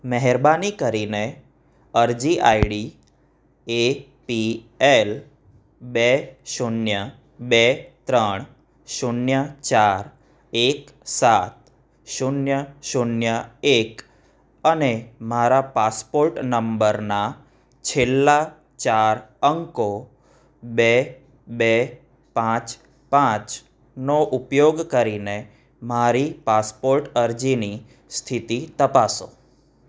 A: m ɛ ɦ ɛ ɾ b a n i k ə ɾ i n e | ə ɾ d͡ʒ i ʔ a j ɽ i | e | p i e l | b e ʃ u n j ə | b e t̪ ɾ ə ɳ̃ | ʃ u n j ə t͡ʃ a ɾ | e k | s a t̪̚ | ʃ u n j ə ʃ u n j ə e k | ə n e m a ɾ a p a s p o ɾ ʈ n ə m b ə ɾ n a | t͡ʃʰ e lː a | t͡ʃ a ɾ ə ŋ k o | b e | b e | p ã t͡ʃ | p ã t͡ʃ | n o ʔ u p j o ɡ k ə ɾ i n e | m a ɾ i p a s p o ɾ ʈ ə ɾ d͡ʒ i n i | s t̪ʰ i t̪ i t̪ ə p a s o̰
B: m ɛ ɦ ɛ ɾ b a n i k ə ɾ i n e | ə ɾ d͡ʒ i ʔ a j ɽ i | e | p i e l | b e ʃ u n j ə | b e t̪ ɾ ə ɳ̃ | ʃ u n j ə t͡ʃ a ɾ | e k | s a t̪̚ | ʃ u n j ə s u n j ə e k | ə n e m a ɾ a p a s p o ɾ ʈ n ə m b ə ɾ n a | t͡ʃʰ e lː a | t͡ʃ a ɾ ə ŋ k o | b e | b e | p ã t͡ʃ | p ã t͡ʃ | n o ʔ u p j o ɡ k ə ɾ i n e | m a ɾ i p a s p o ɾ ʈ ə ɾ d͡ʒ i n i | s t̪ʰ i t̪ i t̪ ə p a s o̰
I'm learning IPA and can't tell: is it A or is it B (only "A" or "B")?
A